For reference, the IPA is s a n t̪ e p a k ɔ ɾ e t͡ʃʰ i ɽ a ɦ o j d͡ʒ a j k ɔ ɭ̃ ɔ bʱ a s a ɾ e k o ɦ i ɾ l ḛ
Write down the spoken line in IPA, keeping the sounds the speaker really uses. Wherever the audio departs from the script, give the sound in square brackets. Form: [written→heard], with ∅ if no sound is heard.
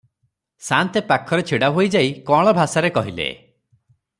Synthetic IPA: s a n t̪ e p a [k→kʰ] ɔ ɾ e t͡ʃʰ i ɽ a ɦ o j d͡ʒ a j k ɔ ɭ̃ ɔ bʱ a s a ɾ e k [o→ɔ] ɦ i [ɾ→∅] l ḛ